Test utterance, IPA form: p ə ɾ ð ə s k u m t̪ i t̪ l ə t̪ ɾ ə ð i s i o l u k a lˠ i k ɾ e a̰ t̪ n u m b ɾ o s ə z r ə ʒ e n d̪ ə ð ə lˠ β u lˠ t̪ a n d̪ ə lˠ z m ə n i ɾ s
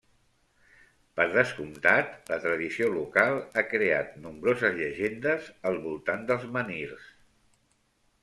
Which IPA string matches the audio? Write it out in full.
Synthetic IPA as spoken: p ə ɾ ð ə s k u m t̪ a t̪ l ə t̪ ɾ ə ð i s i o l u k a lˠ a k ɾ e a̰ t̪ n u m b ɾ o z ə z ʎ ə ʒ e n d̪ ə z ə lˠ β u lˠ t̪ a n d̪ ə lˠ z m ə n i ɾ s